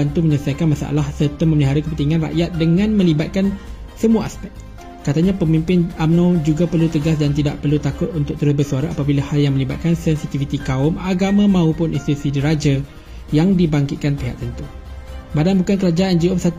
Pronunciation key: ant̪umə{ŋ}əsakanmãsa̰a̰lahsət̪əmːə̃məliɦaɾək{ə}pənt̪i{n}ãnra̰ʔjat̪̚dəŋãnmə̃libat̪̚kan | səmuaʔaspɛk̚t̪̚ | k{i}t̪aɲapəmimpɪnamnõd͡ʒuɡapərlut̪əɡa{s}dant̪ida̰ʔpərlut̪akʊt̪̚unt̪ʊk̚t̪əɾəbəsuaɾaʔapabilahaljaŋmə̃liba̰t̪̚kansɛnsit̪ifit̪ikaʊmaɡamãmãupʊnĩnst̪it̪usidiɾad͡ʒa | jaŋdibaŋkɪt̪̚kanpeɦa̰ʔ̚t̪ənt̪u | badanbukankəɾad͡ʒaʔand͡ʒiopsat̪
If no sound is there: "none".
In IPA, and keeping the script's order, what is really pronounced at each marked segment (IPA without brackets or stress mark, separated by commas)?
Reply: ɲ, ə, ŋ, a, s